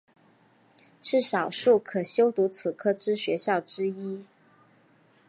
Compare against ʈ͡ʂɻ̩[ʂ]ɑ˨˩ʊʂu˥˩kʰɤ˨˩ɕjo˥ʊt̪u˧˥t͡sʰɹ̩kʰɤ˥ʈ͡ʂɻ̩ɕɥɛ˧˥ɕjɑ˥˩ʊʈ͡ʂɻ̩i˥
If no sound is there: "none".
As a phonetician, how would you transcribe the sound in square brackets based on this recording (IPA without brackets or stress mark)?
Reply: ʂ